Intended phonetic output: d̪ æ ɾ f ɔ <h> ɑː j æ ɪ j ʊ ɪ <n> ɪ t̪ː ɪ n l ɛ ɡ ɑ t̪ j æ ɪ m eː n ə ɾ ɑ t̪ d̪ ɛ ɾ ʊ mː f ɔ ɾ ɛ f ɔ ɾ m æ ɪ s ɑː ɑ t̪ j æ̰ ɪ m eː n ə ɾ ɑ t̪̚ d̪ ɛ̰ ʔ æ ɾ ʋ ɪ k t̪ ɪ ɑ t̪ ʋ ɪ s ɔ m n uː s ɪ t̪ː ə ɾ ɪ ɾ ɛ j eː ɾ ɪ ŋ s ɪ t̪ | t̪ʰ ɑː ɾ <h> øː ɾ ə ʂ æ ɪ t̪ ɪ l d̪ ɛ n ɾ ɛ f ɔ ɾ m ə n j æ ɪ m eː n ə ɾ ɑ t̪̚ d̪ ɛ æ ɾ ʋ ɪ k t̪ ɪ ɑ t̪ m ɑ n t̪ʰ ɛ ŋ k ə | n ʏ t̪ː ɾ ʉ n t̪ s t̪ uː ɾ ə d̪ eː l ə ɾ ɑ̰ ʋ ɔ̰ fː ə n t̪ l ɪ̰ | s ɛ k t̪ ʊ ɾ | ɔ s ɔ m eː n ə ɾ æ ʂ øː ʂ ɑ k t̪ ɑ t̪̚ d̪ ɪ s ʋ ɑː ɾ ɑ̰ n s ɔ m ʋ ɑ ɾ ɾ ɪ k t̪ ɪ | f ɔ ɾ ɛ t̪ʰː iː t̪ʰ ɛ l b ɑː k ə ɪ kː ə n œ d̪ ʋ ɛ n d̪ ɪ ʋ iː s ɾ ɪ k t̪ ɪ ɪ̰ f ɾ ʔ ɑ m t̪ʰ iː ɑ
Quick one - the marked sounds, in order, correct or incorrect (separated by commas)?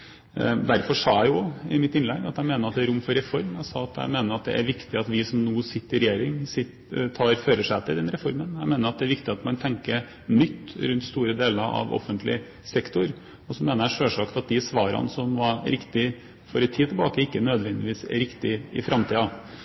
incorrect, incorrect, incorrect